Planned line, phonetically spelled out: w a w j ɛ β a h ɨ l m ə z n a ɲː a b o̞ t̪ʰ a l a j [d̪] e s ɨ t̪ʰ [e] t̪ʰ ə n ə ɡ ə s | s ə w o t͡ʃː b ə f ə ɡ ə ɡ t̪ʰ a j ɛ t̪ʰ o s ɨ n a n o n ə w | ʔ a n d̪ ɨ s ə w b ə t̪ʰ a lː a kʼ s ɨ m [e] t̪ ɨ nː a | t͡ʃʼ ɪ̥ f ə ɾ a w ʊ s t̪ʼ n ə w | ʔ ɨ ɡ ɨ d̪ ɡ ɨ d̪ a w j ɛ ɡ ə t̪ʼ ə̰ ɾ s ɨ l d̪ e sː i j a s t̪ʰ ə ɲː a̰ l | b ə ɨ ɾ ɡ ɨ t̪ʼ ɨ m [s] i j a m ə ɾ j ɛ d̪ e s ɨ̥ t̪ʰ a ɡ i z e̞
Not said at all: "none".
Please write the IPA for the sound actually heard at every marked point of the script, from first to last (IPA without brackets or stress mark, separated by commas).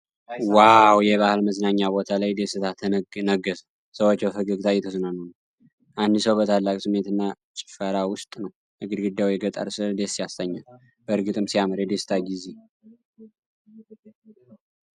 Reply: d̪, a, e, s